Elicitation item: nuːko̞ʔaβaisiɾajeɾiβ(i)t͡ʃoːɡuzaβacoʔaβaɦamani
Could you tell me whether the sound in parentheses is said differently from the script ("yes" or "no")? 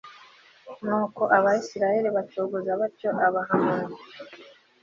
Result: yes